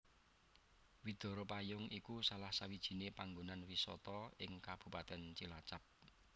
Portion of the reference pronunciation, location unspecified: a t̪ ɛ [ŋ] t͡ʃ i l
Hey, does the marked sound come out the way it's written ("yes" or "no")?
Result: no